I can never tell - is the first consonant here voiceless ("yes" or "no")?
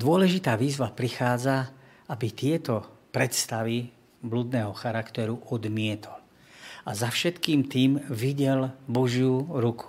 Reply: no